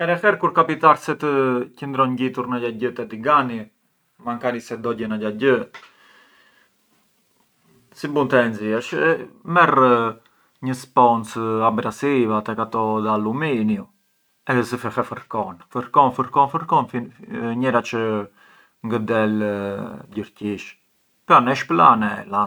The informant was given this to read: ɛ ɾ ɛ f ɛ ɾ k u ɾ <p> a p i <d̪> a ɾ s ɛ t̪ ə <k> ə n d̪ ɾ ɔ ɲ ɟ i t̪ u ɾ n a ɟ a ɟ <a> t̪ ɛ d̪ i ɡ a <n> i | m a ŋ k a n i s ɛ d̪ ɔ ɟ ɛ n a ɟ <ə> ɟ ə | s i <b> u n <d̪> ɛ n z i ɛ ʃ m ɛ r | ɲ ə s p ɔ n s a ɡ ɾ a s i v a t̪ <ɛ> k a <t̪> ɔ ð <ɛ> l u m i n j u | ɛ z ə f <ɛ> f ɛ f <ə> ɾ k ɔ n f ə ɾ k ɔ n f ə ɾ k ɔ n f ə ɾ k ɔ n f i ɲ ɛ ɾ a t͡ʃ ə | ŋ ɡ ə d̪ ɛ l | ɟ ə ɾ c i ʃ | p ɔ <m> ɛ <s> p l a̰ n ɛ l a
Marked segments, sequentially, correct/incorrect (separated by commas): incorrect, incorrect, incorrect, incorrect, correct, incorrect, correct, incorrect, correct, correct, incorrect, correct, correct, incorrect, incorrect